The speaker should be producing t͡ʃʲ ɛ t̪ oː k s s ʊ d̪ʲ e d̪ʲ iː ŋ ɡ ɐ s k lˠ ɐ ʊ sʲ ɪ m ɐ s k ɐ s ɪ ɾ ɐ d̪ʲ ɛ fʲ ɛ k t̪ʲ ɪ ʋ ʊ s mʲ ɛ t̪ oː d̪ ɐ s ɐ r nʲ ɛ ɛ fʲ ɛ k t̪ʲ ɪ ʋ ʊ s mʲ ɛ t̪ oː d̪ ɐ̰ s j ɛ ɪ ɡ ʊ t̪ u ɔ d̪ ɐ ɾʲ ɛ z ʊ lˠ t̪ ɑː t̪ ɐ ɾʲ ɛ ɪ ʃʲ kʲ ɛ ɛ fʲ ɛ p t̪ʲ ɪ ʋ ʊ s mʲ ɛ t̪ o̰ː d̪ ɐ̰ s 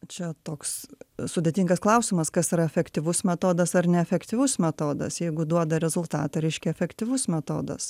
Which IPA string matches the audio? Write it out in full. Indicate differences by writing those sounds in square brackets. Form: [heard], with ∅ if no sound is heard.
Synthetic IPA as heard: t͡ʃʲ ɛ t̪ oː k s s ʊ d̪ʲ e [t̪ʲ] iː ŋ ɡ ɐ s k lˠ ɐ ʊ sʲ ɪ m ɐ s k ɐ s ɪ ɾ ɐ [∅] ɛ fʲ ɛ k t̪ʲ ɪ ʋ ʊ s mʲ ɛ t̪ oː d̪ ɐ s ɐ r nʲ ɛ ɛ fʲ ɛ k t̪ʲ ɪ ʋ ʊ s mʲ ɛ t̪ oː d̪ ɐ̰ s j ɛ ɪ ɡ ʊ [d̪] u ɔ d̪ ɐ ɾʲ ɛ z ʊ lˠ t̪ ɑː t̪ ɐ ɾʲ ɛ ɪ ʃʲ kʲ ɛ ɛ fʲ ɛ [k] t̪ʲ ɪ ʋ ʊ s mʲ ɛ t̪ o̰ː d̪ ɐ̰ s